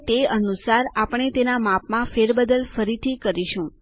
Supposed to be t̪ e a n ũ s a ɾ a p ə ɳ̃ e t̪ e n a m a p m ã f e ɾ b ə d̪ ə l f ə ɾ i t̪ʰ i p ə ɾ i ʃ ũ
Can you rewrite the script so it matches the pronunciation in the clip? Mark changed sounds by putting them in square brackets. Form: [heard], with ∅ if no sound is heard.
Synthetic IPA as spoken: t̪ e [ə] n [u] s a ɾ a p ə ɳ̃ e t̪ e n a m a p m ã f e ɾ b ə d̪ ə l f ə ɾ i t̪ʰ i [k] ə ɾ i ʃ ũ